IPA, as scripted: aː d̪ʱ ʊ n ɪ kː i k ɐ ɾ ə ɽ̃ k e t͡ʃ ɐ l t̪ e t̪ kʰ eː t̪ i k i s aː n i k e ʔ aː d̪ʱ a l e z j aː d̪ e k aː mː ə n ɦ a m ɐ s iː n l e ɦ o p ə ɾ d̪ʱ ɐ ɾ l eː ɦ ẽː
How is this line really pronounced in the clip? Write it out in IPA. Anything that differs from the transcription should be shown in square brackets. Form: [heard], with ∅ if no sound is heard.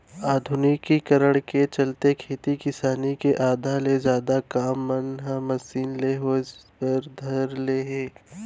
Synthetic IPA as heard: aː d̪ʱ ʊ n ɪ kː i k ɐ ɾ ə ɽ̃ k e t͡ʃ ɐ l t̪ e [∅] kʰ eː t̪ i k [ɪ] s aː n i k e ʔ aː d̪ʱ a l e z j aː d̪ [a] k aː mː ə n ɦ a m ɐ s iː n l e ɦ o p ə ɾ d̪ʱ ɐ ɾ l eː ɦ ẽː